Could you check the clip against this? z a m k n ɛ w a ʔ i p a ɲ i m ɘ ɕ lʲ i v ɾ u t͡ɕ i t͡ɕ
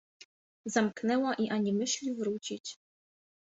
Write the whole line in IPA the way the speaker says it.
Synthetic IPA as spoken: z a m k n ɛ w a ʔ i ʔ a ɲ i m ɘ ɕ lʲ i v ɾ u t͡ɕ i t͡ɕ